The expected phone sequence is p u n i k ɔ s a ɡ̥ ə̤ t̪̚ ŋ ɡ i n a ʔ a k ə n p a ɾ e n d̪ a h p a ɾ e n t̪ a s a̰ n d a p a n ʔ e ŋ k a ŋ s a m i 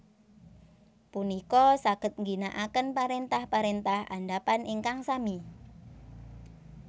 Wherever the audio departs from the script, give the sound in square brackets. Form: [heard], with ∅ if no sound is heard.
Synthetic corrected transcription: p u n i k ɔ s a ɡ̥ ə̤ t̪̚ ŋ ɡ i n a ʔ a k ə n p a ɾ e n [t̪] a h p a ɾ e n t̪ a [h] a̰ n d a p a n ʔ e ŋ k a ŋ s a m i